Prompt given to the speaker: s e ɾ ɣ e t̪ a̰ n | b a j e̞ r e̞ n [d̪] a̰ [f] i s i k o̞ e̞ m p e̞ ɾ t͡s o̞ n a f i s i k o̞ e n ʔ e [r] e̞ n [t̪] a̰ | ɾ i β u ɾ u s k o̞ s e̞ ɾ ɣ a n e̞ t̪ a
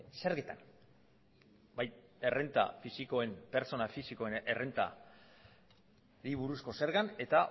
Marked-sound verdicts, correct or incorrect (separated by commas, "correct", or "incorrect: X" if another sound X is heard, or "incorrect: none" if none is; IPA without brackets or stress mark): incorrect: t̪, correct, correct, correct